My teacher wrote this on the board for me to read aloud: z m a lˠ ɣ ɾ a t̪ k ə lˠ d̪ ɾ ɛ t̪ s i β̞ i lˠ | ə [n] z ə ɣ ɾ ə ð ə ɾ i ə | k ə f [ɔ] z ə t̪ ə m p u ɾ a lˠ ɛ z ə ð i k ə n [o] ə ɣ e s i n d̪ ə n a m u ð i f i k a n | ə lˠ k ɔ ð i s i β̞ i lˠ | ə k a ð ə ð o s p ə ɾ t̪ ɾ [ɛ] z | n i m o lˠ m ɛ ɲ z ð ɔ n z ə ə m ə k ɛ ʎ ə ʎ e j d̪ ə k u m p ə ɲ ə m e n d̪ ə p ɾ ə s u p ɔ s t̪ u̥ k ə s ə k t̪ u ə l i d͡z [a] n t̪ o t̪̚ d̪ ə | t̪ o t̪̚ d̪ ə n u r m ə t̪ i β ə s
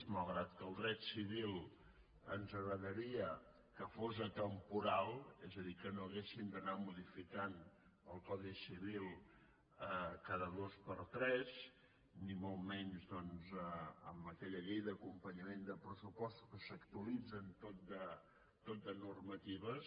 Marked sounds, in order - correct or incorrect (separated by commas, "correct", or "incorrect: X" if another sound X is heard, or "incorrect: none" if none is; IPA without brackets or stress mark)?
correct, incorrect: o, correct, correct, incorrect: ə